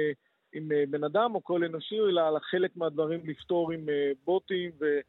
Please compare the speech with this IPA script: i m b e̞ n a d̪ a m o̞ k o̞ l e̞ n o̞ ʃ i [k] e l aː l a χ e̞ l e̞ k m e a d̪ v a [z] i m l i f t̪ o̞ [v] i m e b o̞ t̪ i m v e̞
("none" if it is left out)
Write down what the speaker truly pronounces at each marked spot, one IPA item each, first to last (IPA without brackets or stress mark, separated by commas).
none, ʁ, ʁ